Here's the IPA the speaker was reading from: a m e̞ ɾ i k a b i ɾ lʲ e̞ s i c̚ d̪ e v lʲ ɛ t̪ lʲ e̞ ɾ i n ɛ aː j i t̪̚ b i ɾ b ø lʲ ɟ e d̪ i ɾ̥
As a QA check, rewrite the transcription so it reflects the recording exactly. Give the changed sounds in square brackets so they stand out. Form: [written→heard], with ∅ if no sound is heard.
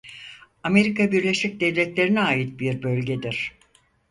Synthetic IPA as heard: a m e̞ ɾ i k a b i ɾ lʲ e̞ [s→ʃ] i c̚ d̪ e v lʲ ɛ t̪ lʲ e̞ ɾ i n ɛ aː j i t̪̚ b i ɾ b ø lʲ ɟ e d̪ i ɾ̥